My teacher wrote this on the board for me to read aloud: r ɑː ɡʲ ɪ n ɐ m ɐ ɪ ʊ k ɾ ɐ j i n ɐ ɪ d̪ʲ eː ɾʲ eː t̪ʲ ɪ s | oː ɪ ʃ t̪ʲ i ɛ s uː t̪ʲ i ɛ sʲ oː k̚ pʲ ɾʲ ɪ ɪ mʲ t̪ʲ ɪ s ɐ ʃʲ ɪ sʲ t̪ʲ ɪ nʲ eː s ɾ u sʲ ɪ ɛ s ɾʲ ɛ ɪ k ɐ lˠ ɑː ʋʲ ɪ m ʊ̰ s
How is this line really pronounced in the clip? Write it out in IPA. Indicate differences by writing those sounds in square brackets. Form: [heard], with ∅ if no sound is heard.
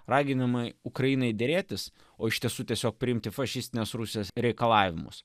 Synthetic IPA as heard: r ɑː ɡʲ ɪ n ɐ m ɐ ɪ ʊ k ɾ ɐ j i n ɐ ɪ d̪ʲ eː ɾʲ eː t̪ʲ ɪ s | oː ɪ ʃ t̪ʲ i ɛ s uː t̪ʲ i ɛ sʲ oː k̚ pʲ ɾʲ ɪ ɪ mʲ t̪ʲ ɪ [f] ɐ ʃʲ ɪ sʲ t̪ʲ ɪ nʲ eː s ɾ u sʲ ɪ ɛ s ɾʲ ɛ ɪ k ɐ lˠ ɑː ʋʲ ɪ m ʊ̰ s